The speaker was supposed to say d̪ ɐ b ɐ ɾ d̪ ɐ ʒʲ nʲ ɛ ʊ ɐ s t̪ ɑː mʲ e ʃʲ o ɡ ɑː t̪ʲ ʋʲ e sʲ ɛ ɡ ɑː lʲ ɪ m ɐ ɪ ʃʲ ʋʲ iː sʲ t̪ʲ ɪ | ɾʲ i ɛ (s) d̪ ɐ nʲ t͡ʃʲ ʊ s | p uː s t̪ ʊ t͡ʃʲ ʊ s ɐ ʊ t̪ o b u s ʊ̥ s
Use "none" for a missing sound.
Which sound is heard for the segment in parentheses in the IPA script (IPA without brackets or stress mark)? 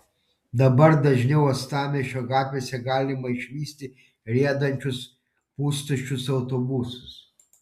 none